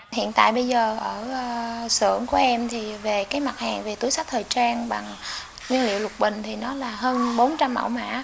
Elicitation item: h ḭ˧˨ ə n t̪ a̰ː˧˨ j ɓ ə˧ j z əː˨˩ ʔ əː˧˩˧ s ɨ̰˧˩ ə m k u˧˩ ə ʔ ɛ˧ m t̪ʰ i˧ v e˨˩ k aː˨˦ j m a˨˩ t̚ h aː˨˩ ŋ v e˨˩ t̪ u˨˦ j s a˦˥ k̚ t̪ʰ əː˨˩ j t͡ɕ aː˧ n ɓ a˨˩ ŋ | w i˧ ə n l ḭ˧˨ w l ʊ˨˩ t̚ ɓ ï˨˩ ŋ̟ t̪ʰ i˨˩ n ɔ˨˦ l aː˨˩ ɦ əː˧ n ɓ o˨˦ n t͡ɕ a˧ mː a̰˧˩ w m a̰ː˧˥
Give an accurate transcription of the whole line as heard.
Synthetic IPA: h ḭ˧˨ ə n t̪ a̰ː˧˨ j ɓ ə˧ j z əː˨˩ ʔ əː˧˩˧ s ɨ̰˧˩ ə ŋ k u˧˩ ə ʔ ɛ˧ m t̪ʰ i˨˩ v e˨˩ k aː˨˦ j m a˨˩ t̚ h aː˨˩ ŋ v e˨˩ t̪ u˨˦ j s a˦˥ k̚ t̪ʰ əː˨˩ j t͡ɕ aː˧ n ɓ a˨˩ ŋ | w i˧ ə n l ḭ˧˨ w l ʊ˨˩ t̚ ɓ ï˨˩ ŋ̟ t̪ʰ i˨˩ n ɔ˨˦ l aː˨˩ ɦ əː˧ n ɓ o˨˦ n t͡ɕ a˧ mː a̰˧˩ w m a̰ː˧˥

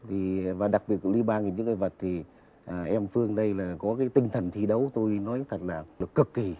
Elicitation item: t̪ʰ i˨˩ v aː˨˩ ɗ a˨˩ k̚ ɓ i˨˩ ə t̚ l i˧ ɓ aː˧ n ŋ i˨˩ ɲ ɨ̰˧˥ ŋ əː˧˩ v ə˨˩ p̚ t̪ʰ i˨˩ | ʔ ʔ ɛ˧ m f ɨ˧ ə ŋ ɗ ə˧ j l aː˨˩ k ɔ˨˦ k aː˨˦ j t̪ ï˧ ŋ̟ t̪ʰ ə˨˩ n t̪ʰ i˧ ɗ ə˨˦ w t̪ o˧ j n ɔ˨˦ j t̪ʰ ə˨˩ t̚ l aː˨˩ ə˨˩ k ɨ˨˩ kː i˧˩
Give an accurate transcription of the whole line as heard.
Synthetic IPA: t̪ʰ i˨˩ v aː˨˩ ɗ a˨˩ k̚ ɓ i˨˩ ə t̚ l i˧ ɓ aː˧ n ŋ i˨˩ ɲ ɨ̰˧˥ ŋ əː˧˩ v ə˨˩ t̚ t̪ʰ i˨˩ | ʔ ʔ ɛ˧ m f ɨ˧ ə ŋ ɗ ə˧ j l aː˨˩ k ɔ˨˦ k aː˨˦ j t̪ ï˧ ŋ̟ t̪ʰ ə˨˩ n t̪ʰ i˧ ɗ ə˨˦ w t̪ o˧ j n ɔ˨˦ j t̪ʰ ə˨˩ t̚ l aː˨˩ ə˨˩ k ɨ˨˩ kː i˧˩

